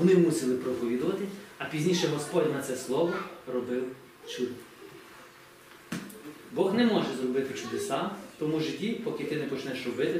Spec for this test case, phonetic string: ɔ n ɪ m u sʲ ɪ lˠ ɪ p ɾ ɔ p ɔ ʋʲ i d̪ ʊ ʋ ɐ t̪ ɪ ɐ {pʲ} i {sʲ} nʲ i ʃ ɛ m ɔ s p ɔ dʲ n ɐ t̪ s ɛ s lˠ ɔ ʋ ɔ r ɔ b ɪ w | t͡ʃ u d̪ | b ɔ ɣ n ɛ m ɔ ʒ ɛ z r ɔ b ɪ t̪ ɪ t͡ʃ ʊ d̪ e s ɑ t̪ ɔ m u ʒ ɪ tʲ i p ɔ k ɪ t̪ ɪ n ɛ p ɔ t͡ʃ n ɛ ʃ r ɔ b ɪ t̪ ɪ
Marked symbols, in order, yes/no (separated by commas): yes, no